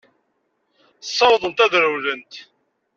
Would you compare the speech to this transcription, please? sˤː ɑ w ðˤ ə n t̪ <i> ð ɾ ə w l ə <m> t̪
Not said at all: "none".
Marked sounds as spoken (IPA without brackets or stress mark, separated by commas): æ, n